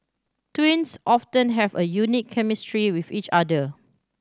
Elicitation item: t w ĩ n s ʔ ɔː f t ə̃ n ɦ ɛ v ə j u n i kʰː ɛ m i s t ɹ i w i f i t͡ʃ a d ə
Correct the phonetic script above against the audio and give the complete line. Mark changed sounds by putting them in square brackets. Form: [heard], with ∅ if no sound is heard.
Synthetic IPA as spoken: t w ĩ n s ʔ [ɔ] f t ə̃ n ɦ ɛ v ə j u n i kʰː ɛ m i s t ɹ i w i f i t͡ʃ a d ə